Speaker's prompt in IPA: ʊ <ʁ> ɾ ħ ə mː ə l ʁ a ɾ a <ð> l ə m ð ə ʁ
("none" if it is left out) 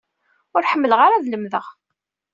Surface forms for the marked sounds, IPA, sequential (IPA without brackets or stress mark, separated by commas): none, ð